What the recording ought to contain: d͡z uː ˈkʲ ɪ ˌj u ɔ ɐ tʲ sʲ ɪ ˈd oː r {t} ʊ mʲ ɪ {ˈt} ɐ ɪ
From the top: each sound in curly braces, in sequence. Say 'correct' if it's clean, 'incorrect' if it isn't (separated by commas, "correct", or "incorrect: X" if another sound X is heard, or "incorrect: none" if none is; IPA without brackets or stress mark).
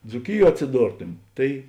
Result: correct, correct